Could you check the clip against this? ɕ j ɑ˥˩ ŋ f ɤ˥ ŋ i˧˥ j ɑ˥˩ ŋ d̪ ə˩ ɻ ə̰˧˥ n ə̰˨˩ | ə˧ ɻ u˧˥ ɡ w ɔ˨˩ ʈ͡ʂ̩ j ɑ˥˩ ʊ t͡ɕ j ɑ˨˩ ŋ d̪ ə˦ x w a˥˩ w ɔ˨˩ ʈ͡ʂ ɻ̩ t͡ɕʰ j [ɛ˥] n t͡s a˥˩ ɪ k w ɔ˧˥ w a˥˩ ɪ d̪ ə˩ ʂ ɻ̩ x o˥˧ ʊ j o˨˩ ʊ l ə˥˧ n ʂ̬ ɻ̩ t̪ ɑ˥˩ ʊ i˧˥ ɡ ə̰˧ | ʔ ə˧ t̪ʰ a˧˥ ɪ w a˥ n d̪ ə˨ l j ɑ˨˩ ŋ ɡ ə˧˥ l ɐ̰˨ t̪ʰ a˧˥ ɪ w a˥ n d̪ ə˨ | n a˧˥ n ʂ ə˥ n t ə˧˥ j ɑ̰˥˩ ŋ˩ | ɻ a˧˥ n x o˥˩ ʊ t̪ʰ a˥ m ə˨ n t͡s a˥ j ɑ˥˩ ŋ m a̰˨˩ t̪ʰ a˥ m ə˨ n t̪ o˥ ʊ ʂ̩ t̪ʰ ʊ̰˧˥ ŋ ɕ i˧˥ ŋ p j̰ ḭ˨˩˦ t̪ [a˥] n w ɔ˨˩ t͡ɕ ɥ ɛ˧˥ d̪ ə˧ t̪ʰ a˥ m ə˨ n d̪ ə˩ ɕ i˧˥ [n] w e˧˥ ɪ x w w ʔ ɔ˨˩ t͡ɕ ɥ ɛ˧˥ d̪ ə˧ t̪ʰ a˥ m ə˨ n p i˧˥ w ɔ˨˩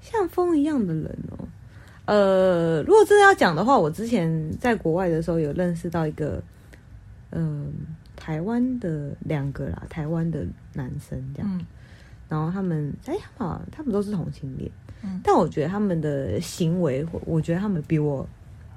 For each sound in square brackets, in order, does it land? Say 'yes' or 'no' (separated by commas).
no, no, no